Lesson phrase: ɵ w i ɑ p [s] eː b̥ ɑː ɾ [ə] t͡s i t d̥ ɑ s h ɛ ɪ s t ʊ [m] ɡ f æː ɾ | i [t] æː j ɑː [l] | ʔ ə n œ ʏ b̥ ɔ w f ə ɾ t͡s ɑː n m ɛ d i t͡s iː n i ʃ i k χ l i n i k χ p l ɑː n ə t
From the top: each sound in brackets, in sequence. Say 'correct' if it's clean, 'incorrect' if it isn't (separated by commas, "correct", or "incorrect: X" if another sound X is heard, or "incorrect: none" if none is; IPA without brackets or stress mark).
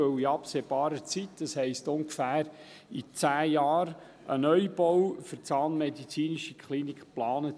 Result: correct, correct, incorrect: ŋ, incorrect: t͡s, incorrect: ɾ